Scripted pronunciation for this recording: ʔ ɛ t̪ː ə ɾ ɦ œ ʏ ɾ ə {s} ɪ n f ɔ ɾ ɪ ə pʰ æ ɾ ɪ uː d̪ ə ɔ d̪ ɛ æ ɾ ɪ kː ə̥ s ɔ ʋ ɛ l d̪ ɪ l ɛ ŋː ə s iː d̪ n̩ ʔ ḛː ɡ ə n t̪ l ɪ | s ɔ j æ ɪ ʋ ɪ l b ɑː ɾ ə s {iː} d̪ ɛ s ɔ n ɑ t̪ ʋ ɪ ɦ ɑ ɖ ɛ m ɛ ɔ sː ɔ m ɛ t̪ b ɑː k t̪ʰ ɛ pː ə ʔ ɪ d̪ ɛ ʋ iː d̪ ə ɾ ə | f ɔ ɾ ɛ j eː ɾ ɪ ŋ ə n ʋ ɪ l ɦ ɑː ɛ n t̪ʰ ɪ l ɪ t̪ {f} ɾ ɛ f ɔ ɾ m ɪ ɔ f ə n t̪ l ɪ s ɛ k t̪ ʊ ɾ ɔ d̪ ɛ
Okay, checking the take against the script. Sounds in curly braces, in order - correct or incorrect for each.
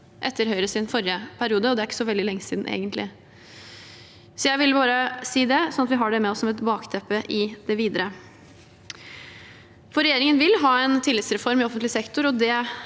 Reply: correct, correct, incorrect

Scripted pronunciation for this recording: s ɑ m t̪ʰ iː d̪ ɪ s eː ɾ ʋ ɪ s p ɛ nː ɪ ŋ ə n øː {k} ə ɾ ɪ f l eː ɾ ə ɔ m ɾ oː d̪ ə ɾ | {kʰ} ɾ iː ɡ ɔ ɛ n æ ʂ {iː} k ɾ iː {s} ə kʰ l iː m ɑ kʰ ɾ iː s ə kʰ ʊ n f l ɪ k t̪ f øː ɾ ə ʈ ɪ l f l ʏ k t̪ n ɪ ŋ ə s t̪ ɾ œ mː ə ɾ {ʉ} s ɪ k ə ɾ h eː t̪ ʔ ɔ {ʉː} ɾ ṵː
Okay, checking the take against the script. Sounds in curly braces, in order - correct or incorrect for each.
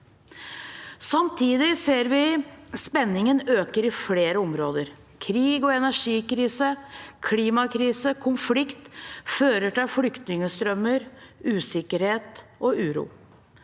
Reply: correct, correct, correct, correct, incorrect, correct

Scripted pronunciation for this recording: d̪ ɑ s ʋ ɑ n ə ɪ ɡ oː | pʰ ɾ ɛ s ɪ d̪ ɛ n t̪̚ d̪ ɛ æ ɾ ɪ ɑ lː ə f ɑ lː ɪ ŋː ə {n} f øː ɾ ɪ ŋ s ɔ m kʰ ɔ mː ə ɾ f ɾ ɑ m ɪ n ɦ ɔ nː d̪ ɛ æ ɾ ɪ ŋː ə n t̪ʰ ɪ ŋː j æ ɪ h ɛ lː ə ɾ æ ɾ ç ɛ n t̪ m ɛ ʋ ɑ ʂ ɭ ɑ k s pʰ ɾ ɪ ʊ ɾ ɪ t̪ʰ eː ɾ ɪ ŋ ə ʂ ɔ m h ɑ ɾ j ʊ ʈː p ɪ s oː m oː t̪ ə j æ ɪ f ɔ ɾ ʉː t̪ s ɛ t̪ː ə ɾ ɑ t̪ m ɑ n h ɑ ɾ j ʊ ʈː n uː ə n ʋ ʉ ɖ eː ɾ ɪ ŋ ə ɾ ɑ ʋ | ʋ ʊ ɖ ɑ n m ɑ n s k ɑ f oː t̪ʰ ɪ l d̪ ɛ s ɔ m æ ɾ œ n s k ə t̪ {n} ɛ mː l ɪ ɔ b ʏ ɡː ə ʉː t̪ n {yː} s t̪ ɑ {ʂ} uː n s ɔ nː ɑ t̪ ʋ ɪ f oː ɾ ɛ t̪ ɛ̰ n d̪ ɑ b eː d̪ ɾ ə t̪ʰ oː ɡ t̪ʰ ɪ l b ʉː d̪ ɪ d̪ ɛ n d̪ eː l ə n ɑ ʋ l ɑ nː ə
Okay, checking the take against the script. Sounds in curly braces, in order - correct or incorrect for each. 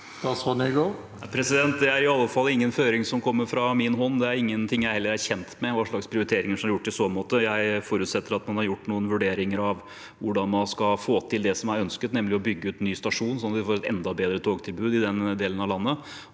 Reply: correct, correct, correct, correct

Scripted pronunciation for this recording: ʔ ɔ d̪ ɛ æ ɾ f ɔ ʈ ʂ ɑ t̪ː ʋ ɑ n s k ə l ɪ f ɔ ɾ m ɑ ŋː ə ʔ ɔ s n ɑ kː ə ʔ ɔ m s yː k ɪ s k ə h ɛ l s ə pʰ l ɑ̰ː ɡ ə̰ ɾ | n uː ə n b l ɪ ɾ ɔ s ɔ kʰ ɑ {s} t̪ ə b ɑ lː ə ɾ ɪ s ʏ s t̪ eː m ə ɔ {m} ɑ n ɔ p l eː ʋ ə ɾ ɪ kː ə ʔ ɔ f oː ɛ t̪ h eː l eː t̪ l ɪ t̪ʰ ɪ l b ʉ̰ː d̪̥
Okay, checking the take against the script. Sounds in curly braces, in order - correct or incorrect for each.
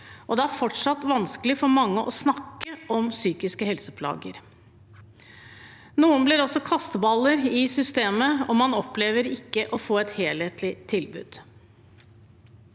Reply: correct, correct

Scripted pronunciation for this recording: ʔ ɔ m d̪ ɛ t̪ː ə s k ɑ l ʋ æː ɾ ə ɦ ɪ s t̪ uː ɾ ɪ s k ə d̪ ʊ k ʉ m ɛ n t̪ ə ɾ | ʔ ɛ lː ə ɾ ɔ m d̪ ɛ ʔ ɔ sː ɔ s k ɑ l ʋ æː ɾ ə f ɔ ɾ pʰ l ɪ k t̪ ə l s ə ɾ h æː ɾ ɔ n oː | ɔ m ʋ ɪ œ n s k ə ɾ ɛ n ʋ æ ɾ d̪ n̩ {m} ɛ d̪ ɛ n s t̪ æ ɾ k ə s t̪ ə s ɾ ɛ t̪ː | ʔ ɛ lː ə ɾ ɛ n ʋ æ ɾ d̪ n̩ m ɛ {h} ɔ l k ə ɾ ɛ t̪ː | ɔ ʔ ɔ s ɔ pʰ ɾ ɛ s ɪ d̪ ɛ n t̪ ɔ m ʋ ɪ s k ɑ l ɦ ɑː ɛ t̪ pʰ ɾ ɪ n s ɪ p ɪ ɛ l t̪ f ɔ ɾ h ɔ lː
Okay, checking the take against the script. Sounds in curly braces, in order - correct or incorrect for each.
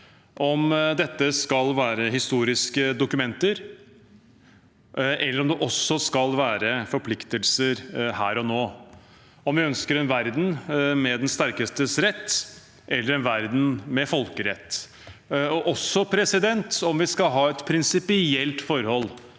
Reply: correct, incorrect

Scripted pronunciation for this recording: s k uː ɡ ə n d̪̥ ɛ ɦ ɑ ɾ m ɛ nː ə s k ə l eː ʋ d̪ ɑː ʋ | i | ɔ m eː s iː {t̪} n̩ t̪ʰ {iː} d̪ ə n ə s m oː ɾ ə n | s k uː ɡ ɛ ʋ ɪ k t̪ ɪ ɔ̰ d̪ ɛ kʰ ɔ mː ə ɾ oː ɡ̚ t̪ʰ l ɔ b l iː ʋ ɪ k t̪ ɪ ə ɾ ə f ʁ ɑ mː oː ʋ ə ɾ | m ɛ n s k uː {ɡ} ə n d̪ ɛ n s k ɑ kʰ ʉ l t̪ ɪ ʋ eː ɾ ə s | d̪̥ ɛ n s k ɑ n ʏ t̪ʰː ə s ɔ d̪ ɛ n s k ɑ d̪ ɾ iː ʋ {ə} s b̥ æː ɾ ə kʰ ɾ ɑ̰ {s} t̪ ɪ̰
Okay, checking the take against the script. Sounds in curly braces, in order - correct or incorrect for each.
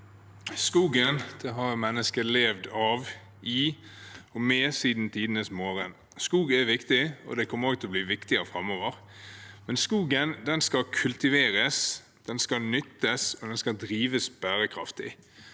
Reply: incorrect, correct, correct, correct, incorrect

